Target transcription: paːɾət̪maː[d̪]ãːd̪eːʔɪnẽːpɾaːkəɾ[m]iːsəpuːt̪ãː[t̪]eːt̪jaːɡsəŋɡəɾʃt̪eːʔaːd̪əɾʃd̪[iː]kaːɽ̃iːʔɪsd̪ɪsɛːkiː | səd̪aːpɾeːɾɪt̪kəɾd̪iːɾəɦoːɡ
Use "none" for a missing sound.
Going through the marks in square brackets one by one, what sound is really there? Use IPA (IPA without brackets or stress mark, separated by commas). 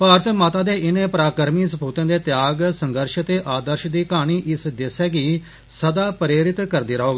t̪, m, d̪, iː